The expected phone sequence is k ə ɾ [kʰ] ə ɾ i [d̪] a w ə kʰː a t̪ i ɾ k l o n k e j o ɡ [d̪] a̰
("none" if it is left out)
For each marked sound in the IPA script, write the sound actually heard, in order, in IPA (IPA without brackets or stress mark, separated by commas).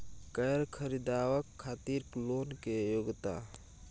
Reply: kʰ, d̪, t̪